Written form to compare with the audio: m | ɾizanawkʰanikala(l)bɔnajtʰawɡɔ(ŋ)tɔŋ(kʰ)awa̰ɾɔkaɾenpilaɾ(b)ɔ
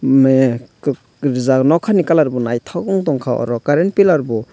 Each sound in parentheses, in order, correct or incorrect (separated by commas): incorrect, correct, correct, correct